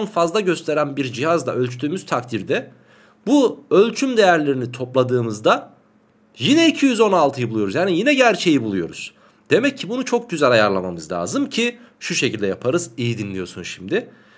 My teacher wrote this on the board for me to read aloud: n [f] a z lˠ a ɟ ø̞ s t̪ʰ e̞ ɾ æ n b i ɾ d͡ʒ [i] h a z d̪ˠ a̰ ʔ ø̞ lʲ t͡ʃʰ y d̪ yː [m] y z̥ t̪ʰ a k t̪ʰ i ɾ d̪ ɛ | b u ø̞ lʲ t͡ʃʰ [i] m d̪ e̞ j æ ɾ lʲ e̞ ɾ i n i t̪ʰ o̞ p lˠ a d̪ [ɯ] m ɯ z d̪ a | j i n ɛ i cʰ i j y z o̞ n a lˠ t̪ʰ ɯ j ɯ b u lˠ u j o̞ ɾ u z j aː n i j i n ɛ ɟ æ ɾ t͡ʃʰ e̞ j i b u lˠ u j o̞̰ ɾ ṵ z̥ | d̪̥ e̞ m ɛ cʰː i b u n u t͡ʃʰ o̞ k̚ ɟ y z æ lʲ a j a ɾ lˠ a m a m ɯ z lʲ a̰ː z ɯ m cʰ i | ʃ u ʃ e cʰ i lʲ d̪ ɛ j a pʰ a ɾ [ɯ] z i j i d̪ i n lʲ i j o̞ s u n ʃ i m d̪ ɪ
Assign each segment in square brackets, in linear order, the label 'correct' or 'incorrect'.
correct, correct, correct, incorrect: y, incorrect: ɯː, correct

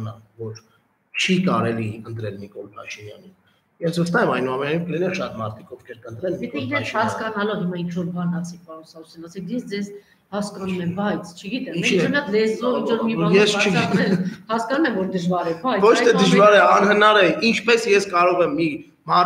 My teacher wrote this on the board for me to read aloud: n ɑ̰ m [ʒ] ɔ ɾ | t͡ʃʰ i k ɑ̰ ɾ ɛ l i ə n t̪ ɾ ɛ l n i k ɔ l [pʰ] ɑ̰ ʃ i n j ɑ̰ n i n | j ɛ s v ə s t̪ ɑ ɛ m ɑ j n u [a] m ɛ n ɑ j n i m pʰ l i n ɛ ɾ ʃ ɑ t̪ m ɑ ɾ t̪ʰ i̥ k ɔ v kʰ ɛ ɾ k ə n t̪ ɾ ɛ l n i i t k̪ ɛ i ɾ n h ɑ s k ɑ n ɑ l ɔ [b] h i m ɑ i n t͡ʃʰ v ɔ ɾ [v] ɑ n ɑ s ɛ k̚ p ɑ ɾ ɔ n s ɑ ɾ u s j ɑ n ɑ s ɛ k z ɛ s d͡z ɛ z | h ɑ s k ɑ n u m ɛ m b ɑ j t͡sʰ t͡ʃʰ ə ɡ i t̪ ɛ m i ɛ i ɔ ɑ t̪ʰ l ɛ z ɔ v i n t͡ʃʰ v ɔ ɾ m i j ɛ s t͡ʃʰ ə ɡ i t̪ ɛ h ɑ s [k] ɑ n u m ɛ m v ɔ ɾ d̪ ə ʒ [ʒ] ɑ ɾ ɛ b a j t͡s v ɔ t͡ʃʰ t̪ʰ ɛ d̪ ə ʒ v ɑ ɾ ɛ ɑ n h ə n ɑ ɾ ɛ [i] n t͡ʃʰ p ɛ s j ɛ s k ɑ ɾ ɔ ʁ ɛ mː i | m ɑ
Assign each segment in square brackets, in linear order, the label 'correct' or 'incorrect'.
incorrect: v, correct, incorrect: ɑ, incorrect: v, incorrect: b, correct, incorrect: v, correct

